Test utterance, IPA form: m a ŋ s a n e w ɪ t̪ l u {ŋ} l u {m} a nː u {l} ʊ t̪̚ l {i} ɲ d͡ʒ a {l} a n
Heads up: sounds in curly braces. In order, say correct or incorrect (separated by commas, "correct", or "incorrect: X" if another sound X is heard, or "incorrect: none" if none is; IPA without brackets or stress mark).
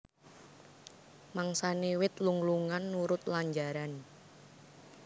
correct, incorrect: ŋ, incorrect: ɾ, incorrect: a, incorrect: ɾ